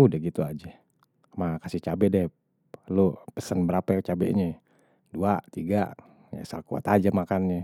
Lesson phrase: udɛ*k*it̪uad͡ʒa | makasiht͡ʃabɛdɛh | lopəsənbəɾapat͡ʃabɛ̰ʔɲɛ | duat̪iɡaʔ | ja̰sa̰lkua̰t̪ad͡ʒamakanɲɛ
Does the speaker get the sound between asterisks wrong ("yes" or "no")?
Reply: yes